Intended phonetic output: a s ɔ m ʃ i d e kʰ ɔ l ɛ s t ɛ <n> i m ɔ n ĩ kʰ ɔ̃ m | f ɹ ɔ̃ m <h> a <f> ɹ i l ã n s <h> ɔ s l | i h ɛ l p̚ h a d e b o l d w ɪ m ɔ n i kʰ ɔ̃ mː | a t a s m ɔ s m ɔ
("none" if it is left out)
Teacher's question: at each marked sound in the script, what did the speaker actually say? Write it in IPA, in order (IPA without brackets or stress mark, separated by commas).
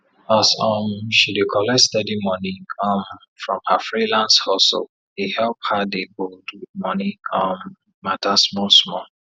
d, h, f, h